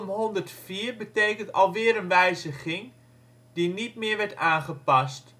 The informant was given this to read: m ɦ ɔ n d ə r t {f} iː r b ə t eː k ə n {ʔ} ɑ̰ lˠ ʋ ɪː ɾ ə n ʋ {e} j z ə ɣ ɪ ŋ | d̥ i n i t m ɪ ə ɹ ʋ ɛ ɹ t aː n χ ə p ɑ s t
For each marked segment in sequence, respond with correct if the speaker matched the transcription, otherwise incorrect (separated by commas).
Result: correct, incorrect, incorrect